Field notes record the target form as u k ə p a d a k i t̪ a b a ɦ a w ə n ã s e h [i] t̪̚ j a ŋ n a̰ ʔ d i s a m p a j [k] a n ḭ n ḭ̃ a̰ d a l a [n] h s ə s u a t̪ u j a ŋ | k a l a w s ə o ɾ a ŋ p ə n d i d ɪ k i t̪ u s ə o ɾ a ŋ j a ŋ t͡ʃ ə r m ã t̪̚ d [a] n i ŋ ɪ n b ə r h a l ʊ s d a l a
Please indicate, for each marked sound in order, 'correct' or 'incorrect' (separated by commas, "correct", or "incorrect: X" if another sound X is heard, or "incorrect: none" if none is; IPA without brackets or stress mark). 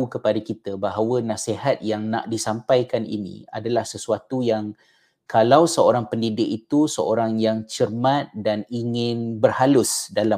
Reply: incorrect: a, correct, incorrect: none, correct